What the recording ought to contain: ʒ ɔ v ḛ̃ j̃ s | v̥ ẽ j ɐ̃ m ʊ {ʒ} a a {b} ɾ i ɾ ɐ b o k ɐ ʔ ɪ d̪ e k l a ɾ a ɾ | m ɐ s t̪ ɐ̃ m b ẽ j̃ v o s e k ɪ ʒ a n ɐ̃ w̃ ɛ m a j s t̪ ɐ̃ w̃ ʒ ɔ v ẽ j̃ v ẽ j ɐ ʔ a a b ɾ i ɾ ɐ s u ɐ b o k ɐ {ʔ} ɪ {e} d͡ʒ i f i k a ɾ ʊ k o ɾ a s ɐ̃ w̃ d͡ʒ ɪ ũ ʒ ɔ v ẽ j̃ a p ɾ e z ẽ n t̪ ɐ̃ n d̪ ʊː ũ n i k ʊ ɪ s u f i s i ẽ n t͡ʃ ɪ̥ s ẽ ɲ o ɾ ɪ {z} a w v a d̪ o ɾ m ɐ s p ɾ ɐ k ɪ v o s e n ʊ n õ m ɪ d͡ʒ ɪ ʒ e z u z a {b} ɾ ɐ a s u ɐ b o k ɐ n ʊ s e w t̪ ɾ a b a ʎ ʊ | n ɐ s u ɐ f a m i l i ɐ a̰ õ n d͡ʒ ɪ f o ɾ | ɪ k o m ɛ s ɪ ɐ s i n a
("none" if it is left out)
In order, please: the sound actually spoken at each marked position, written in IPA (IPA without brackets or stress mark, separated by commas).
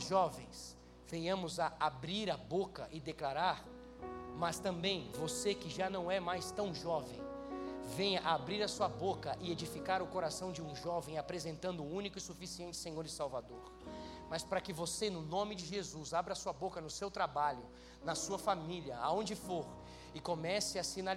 z, b, ʔ, e, s, b